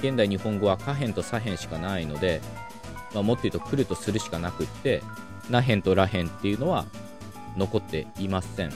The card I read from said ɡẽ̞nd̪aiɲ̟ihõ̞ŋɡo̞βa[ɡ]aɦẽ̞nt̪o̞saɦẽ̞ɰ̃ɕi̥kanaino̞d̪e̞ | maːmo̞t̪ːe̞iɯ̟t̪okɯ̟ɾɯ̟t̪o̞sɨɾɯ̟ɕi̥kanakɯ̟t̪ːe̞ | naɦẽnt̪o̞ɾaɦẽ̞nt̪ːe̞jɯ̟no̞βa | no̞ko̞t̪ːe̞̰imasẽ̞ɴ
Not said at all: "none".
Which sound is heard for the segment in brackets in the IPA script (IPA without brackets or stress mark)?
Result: k